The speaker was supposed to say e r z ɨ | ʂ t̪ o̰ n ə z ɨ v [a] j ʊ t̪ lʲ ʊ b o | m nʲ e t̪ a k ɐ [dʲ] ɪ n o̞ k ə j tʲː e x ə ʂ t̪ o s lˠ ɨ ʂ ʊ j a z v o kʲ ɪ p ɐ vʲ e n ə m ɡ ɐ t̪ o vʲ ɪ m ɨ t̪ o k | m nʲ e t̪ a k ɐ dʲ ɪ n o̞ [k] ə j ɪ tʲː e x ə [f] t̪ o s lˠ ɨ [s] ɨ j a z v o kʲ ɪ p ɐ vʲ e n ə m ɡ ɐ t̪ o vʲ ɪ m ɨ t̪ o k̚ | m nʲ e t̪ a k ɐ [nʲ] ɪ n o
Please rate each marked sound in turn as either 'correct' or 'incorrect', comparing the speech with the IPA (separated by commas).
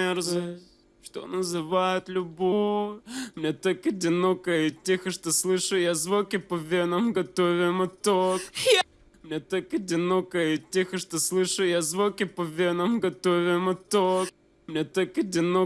correct, correct, correct, incorrect, incorrect, incorrect